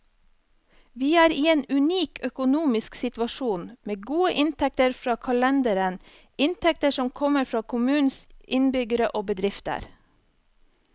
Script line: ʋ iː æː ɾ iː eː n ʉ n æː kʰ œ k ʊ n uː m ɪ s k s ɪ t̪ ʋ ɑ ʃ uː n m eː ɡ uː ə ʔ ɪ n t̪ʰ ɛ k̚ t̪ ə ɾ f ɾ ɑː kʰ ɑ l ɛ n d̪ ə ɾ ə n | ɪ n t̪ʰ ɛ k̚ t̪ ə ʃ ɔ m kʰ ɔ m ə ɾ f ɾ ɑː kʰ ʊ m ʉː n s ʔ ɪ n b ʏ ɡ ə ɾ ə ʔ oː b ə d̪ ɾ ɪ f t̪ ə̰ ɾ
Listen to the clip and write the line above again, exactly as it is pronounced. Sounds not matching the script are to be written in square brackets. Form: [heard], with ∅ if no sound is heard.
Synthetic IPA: ʋ iː æː ɾ iː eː n ʉ n [iː] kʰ œ k ʊ n uː m ɪ s k s ɪ t̪ ʋ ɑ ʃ uː n m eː ɡ uː ə ʔ ɪ n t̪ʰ ɛ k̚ t̪ ə ɾ f ɾ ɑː kʰ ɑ l ɛ n d̪ ə ɾ ə n | ɪ n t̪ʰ ɛ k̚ t̪ ə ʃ ɔ m kʰ ɔ m ə ɾ f ɾ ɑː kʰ ʊ m ʉː n s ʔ ɪ n b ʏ ɡ ə ɾ ə ʔ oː b ə d̪ ɾ ɪ f t̪ ə̰ ɾ